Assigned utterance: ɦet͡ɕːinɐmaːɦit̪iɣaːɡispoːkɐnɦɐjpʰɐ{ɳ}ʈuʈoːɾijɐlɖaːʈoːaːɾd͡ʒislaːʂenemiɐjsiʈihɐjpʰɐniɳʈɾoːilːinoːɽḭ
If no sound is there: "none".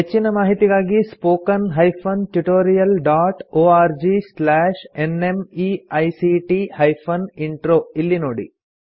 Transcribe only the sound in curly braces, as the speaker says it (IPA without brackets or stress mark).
n